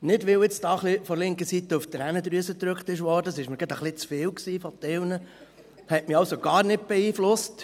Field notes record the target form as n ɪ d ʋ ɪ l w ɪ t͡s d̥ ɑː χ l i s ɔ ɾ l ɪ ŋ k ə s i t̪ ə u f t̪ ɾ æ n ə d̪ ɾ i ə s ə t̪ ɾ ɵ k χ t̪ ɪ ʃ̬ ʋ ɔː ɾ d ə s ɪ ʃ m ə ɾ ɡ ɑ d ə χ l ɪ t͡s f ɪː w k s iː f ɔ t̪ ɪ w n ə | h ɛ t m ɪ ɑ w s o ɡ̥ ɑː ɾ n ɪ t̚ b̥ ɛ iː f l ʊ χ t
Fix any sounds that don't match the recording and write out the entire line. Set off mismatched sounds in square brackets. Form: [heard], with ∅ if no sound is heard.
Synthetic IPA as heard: n ɪ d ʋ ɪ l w ɪ t͡s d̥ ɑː χ l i [f] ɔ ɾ l ɪ ŋ k ə s i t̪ ə u f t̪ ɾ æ n ə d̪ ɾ [y] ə s ə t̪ ɾ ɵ k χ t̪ ɪ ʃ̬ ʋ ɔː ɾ d ə s ɪ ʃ m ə ɾ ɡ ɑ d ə χ l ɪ t͡s f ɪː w k s iː f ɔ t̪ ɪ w n ə | h ɛ t m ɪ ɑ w s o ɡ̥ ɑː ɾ n ɪ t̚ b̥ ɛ iː f l ʊ [s] t